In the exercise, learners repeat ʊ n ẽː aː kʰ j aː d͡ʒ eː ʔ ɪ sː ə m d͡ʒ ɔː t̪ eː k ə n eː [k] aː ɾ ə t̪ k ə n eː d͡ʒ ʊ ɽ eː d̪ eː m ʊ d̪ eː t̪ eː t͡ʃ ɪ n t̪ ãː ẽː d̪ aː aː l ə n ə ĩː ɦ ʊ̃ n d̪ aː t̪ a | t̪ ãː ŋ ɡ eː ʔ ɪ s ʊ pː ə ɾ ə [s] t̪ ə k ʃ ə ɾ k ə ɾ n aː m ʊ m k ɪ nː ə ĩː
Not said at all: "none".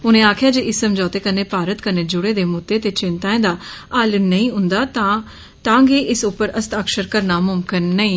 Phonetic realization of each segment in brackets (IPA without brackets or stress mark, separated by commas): p, s